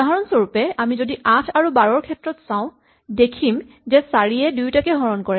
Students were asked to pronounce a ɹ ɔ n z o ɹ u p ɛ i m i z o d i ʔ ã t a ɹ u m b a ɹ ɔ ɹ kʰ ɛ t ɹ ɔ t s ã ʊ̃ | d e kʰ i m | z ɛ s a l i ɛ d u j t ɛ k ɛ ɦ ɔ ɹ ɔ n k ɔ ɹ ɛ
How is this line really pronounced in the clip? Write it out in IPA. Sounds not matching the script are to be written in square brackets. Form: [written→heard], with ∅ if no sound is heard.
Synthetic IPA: a ɹ ɔ n [z→s] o ɹ u p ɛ [i→a] m i z o d i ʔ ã [t→tʰ] a ɹ u [m→∅] b a ɹ ɔ ɹ kʰ ɛ t ɹ ɔ t s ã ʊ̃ | d e kʰ i m | z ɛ s a [l→ɹ] i ɛ d u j t [ɛ→a] k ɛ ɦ ɔ ɹ ɔ n k ɔ ɹ ɛ